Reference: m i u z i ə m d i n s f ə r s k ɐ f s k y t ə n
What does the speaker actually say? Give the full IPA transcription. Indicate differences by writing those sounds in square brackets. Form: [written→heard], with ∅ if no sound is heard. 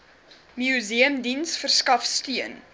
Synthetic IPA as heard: m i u z i ə m d i n s f ə r s k ɐ f s [k→t] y [t→∅] ə n